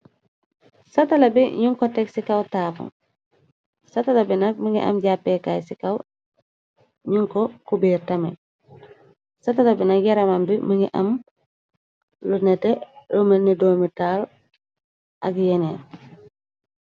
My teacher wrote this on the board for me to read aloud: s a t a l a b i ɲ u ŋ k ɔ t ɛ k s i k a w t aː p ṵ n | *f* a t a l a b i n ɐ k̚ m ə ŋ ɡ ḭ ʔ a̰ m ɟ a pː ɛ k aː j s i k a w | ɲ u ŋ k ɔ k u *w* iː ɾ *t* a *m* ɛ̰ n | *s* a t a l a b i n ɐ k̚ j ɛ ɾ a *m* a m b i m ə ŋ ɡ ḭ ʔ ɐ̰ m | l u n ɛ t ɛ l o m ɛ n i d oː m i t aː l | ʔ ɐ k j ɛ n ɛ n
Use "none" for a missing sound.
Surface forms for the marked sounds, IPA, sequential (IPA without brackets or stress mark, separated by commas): s, b, t, m, s, m